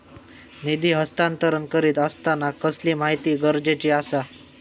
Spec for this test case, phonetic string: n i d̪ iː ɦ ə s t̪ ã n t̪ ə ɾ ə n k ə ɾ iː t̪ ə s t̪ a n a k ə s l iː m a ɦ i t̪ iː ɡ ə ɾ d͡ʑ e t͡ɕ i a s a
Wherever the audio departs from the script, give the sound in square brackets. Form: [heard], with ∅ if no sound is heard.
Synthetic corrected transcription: n i d̪ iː ɦ ə s t̪ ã n t̪ ə ɾ ə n k ə ɾ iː t̪ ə s t̪ a n a k ə s l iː m a ɦ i t̪ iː ɡ ə ɾ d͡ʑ e t͡ɕ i a s a